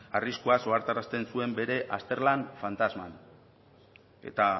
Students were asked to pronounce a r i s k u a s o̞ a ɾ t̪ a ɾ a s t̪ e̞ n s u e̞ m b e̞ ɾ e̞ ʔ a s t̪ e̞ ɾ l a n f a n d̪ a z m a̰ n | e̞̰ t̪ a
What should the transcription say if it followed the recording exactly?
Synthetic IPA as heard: a r i s k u a s o̞ a ɾ t̪ a ɾ a s t̪ e̞ n s u e̞ m b e̞ ɾ e̞ ʔ a s t̪ e̞ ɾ l a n f a n t̪ a z m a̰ n | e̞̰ t̪ a